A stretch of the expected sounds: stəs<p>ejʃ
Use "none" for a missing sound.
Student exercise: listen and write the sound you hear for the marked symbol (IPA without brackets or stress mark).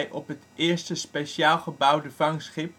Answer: p